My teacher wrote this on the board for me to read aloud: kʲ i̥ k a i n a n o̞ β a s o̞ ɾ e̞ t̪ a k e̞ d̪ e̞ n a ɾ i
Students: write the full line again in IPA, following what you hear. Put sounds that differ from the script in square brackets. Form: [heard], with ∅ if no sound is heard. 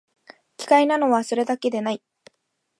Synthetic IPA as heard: kʲ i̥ k a i n a n o̞ β a s o̞ ɾ e̞ [d̪] a k e̞ d̪ e̞ n a [∅] i